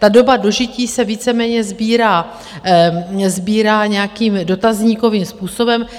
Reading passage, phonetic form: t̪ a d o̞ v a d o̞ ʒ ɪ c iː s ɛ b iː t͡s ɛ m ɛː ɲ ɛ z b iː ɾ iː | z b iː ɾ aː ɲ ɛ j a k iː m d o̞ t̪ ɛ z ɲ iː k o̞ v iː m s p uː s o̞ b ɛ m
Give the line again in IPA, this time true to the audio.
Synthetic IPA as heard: t̪ a d o̞ b a d o̞ ʒ ɪ c iː s ɛ v iː t͡s ɛ m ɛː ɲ ɛ z b iː ɾ aː | z b iː ɾ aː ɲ ɛ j a k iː m d o̞ t̪ a z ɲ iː k o̞ v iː m s p uː s o̞ b ɛ m